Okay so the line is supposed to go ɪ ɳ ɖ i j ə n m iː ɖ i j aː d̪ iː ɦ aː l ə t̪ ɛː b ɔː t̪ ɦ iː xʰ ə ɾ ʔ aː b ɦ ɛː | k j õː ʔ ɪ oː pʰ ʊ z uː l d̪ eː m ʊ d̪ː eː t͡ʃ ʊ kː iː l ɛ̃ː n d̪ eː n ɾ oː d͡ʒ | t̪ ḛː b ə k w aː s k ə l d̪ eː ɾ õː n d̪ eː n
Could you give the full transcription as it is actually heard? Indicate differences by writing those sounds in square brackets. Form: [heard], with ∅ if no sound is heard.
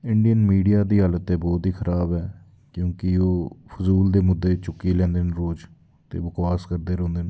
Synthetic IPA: ɪ ɳ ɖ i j ə n m iː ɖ i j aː d̪ iː ɦ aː l ə t̪ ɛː b ɔː t̪ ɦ iː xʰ ə ɾ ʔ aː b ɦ ɛː | k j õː [k] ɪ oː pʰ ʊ z uː l d̪ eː m ʊ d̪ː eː t͡ʃ ʊ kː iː l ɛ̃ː n d̪ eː n ɾ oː d͡ʒ | t̪ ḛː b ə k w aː s k ə [ɾ] d̪ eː ɾ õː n d̪ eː n